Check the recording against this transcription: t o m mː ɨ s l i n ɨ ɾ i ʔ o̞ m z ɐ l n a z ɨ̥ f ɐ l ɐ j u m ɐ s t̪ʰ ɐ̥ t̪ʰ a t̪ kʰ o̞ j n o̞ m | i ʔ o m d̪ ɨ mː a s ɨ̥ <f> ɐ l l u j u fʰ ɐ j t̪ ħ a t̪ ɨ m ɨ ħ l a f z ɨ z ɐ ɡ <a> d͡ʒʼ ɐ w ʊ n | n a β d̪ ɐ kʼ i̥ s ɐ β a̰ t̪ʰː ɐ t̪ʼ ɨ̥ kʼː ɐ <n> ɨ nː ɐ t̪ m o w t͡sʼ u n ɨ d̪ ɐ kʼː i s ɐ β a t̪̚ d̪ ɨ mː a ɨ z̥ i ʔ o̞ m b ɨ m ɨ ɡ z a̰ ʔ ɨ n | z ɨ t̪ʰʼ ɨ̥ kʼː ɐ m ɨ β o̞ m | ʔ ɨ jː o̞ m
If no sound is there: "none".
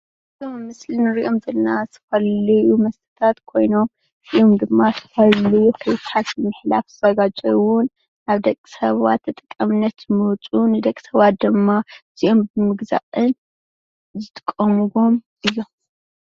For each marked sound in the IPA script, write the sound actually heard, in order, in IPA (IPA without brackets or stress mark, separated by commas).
f, a, m